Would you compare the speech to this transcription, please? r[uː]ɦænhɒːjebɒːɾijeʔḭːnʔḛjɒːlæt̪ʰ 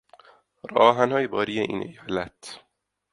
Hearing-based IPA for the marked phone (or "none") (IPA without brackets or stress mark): ɒː